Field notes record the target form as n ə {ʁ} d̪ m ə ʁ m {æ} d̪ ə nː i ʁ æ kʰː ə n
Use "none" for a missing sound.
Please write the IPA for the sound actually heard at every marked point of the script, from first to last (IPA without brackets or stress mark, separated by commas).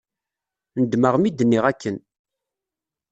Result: none, i